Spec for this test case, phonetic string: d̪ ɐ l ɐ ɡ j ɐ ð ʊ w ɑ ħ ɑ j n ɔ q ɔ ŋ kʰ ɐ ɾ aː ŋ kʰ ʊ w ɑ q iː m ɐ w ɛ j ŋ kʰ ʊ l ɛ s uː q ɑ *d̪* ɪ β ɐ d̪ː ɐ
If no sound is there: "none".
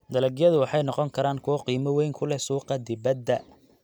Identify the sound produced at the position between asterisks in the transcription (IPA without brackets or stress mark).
d̪